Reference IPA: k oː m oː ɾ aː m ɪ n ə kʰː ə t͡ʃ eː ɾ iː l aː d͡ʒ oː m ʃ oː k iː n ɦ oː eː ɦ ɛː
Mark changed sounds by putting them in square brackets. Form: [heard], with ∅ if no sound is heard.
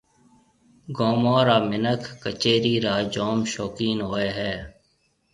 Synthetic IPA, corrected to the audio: [ɡ] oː m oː ɾ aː m ɪ n ə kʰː ə t͡ʃ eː ɾ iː [ɾ] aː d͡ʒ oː m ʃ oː k iː n ɦ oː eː ɦ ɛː